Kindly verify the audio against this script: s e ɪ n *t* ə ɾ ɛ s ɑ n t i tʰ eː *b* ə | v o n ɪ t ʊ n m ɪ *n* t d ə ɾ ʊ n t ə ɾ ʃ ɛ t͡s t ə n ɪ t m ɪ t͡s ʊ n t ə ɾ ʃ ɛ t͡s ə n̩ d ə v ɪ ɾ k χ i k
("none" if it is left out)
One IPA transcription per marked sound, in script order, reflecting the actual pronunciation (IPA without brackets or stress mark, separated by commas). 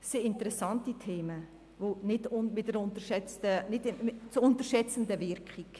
t, m, none